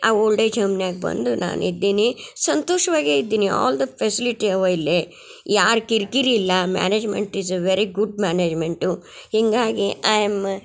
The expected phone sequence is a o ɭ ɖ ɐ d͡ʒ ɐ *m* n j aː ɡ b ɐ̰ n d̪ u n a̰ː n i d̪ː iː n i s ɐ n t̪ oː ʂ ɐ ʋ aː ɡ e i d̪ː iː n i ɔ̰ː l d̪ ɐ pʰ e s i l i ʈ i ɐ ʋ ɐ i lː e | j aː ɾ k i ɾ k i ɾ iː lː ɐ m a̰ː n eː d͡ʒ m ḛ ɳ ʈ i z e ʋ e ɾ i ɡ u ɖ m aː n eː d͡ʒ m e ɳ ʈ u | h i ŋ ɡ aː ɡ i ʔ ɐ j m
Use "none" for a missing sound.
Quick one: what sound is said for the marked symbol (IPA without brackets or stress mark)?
m